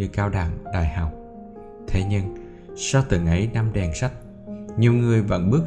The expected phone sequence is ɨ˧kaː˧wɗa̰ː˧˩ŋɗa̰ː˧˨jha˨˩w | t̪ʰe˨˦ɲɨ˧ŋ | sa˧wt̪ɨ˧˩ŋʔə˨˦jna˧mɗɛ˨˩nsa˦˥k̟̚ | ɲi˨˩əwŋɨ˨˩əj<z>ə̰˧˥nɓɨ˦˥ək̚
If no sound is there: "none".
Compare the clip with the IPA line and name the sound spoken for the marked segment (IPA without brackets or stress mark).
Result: v